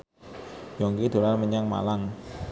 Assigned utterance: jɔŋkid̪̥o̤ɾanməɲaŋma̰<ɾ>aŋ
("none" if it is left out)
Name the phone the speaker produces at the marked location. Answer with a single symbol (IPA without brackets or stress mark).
l